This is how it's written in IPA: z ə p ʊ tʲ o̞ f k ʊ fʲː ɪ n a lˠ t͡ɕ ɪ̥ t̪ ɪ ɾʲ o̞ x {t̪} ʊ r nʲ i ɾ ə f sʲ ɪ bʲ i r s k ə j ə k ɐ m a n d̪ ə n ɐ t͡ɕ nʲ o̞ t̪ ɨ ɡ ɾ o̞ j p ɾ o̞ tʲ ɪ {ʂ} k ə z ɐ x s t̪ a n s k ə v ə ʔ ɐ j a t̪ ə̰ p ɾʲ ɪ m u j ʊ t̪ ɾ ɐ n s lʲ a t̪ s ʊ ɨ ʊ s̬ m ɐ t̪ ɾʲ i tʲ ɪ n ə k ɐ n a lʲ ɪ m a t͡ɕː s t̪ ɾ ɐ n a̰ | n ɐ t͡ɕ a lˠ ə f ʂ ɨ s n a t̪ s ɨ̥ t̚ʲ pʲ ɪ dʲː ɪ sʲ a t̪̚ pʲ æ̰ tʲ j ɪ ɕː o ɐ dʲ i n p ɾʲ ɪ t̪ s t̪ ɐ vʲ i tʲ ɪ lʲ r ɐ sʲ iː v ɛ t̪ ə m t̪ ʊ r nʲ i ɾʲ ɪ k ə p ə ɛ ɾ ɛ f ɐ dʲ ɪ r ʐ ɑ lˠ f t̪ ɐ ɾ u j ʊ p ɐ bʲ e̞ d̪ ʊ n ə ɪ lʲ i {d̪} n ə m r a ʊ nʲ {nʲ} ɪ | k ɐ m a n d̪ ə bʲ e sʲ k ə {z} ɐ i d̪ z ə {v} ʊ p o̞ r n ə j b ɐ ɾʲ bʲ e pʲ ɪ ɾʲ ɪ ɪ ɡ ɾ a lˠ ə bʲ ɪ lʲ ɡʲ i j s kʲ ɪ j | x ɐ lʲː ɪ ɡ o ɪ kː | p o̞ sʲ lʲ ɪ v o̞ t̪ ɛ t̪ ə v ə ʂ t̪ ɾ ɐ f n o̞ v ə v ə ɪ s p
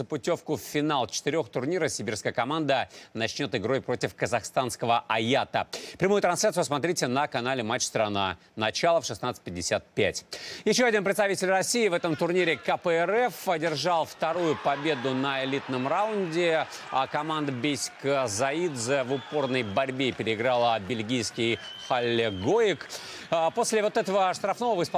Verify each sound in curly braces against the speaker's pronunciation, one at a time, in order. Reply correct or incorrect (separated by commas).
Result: correct, incorrect, incorrect, incorrect, correct, correct